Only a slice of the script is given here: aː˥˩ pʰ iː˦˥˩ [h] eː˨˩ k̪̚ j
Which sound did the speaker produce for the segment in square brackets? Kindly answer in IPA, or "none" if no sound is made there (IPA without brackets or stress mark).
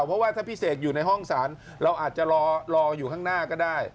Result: s